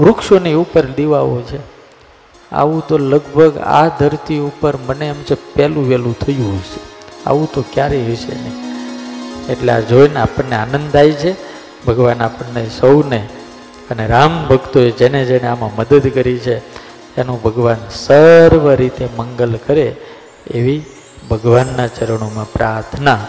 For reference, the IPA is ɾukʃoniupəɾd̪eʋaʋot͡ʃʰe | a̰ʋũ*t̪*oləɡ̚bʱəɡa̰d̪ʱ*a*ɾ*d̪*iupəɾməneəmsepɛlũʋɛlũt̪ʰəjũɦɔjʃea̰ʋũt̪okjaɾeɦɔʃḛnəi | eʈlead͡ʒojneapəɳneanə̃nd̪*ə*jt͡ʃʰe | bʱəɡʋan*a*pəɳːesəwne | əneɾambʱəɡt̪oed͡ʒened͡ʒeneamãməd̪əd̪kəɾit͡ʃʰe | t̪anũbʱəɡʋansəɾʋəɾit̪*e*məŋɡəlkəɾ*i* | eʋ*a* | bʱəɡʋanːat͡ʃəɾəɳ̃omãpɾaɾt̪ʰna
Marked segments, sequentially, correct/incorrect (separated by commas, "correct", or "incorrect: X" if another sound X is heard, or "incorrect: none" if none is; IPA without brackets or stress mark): correct, incorrect: ə, incorrect: t̪, incorrect: a, correct, correct, incorrect: e, incorrect: i